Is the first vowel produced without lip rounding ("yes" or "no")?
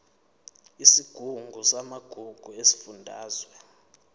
yes